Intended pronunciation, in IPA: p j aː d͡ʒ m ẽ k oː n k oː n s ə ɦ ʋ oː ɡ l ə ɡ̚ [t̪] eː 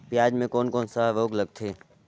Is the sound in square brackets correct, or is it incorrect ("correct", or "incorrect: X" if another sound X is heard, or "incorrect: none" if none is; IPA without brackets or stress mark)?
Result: incorrect: t̪ʰ